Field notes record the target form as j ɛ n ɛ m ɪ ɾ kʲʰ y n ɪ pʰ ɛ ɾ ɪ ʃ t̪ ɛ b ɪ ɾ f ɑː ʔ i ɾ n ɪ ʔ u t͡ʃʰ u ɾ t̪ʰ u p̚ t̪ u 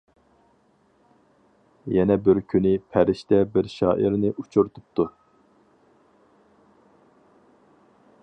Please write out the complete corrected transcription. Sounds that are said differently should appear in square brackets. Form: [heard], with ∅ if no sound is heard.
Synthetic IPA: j ɛ n ɛ [b] ɪ ɾ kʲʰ y n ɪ pʰ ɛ ɾ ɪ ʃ t̪ ɛ b ɪ ɾ [ʃ] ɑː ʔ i ɾ n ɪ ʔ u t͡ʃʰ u ɾ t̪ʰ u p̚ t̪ u